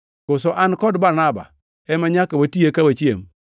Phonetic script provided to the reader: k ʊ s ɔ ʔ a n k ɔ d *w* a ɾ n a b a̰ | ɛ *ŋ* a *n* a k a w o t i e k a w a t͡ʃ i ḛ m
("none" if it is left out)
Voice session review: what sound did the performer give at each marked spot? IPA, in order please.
b, m, ɲ

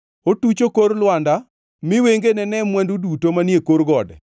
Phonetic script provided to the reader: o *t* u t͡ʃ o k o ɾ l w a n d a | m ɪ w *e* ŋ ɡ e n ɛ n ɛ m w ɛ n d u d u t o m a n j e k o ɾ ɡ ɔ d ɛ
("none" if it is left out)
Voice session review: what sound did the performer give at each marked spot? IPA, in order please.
t, e

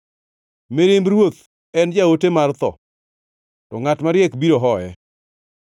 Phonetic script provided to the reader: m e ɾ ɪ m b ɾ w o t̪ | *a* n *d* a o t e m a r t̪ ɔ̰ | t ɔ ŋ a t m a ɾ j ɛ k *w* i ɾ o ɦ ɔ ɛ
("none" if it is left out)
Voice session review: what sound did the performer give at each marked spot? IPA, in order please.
ɛ, d͡ʒ, b

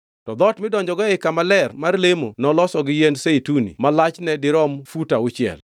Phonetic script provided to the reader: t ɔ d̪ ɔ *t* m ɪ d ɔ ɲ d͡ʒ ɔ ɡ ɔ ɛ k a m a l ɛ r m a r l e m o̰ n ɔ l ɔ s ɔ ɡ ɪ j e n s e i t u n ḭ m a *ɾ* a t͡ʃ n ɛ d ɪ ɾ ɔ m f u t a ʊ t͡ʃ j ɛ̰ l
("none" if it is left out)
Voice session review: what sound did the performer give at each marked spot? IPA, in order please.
t, l

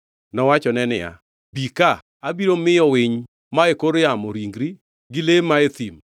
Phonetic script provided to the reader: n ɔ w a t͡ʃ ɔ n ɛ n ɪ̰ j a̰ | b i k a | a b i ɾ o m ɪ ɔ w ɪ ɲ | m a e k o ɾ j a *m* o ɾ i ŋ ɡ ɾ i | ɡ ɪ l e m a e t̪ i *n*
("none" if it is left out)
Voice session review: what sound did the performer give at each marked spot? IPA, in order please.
m, m

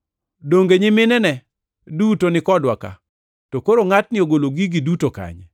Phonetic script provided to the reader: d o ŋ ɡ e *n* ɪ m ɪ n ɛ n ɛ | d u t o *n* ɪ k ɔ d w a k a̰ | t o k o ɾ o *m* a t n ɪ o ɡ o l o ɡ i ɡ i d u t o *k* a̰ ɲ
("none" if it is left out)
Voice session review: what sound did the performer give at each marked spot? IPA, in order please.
ɲ, n, ŋ, k

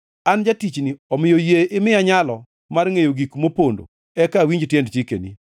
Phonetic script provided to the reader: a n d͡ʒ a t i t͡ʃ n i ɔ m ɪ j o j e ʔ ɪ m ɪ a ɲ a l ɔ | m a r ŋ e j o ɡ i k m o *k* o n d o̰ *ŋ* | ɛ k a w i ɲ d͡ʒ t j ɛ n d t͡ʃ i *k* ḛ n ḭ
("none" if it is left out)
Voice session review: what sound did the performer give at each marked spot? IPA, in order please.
p, none, k

